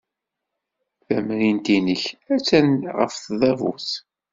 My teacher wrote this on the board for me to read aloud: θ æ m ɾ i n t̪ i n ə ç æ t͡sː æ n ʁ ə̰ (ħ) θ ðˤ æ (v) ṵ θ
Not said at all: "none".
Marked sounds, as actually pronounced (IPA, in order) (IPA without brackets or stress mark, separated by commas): f, v